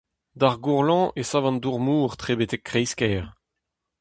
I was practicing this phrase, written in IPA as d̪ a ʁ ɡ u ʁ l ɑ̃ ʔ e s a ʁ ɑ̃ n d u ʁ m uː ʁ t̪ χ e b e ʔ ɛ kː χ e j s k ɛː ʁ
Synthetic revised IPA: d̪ a ʁ ɡ u ʁ l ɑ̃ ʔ e s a v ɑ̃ n d u ʁ m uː ʁ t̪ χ e b e t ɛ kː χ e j s k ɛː ʁ